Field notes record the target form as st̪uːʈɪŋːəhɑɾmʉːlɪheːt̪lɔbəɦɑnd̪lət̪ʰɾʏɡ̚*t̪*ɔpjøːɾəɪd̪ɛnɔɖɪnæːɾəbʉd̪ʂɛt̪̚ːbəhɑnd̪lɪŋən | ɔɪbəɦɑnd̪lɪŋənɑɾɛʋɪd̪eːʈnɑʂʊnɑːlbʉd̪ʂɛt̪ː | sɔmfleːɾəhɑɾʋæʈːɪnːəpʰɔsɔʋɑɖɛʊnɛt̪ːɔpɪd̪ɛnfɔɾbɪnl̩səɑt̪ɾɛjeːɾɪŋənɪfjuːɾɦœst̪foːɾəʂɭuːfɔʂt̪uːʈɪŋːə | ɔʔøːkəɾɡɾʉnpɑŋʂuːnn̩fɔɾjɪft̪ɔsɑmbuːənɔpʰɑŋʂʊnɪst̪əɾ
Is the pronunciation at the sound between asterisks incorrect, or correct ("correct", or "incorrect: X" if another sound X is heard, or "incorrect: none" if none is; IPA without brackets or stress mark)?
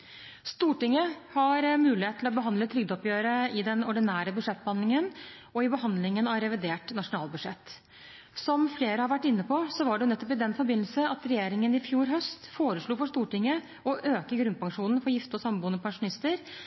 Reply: incorrect: d̪